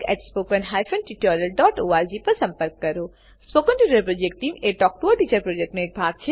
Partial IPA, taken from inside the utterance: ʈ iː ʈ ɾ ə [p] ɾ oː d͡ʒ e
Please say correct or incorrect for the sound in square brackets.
correct